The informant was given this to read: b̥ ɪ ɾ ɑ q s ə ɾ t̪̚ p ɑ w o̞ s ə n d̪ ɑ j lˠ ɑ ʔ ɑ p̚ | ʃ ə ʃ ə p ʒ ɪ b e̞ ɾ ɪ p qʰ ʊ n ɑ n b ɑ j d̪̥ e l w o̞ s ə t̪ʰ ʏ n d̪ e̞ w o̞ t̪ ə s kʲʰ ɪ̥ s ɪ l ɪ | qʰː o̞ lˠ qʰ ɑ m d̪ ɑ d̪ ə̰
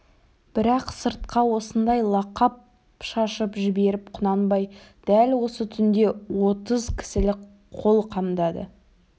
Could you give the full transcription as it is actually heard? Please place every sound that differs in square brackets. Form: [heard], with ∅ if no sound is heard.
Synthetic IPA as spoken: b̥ ɪ ɾ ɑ q s ə ɾ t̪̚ [q] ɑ w o̞ s ə n d̪ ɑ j lˠ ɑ [q] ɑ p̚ | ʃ [ɑ] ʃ ə p ʒ ɪ b e̞ ɾ ɪ p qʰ ʊ n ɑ n b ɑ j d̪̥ [æ] l w o̞ s ə t̪ʰ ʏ n d̪ e̞ w o̞ t̪ ə [z] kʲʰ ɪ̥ s ɪ l ɪ | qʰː o̞ lˠ qʰ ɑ m d̪ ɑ d̪ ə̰

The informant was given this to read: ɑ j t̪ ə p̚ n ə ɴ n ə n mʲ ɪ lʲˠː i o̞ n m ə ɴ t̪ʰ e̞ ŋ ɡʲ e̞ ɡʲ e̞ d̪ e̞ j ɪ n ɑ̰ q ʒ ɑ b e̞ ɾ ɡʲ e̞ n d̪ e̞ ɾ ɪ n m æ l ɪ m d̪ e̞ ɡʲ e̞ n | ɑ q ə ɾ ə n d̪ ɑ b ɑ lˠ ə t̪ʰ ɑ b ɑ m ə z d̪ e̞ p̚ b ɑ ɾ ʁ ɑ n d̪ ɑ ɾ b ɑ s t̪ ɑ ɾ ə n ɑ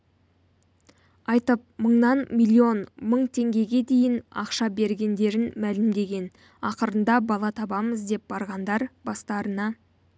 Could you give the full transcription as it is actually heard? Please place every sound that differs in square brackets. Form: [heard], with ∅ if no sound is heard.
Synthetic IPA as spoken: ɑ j t̪ ə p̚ [m] ə ɴ n [ɑ] n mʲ [i] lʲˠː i o̞ n m ə ɴ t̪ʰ e̞ ŋ ɡʲ e̞ ɡʲ e̞ d̪ e̞ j ɪ n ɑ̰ q [ʃ] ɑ b e̞ ɾ ɡʲ e̞ n d̪ e̞ ɾ ɪ n m æ l ɪ m d̪ e̞ ɡʲ e̞ n | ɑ q ə ɾ ə n d̪ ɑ b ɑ lˠ [ɑ] t̪ʰ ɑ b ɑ m ə z d̪ e̞ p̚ b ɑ ɾ ʁ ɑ n d̪ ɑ ɾ b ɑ s t̪ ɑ ɾ ə n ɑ

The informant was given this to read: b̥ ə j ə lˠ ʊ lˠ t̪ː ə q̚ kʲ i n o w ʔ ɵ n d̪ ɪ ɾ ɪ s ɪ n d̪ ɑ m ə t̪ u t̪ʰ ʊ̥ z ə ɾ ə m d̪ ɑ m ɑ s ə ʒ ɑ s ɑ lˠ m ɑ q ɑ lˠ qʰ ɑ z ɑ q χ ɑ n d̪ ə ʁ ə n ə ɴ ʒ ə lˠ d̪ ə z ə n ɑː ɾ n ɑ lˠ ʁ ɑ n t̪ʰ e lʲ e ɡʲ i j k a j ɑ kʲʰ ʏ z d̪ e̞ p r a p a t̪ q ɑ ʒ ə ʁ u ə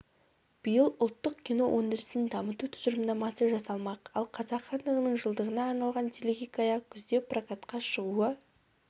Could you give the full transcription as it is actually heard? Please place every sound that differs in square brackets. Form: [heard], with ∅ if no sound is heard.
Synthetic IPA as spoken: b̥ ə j ə lˠ ʊ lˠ t̪ː ə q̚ kʲ i n o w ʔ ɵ n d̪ ɪ ɾ ɪ s ɪ n d̪ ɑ m ə t̪ u t̪ʰ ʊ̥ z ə ɾ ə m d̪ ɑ m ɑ s ə ʒ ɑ s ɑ lˠ m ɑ q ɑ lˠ qʰ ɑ z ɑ q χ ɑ n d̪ ə ʁ ə n ə ɴ ʒ ə lˠ d̪ ə [ʁ] ə n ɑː ɾ n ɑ lˠ ʁ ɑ n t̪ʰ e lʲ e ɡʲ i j k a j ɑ kʲʰ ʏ z d̪ e̞ p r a [k] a t̪ q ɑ [ʃ] ə ʁ u ə

